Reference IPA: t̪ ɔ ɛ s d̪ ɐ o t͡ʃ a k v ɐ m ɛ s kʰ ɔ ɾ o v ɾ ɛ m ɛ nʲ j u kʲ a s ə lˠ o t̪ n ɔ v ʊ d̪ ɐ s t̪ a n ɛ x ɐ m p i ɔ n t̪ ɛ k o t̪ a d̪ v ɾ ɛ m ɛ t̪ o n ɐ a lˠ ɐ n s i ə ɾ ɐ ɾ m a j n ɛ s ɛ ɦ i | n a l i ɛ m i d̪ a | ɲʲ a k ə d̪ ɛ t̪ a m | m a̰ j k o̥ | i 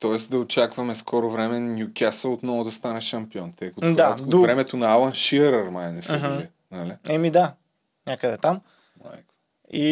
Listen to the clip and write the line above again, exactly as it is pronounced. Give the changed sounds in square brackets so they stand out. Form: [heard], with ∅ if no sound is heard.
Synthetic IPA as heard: t̪ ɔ ɛ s d̪ ɐ o t͡ʃ a k v ɐ m ɛ s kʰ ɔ ɾ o v ɾ ɛ m ɛ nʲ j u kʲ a s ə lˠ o t̪ n ɔ v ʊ d̪ ɐ s t̪ a n ɛ [ʃ] ɐ m p i ɔ n t̪ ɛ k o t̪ a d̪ v ɾ ɛ m ɛ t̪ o n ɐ a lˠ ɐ n [ʃ] i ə ɾ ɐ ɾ m a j n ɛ s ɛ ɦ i | n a l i ɛ m i d̪ a | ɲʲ a k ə d̪ ɛ t̪ a m | m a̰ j k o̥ | i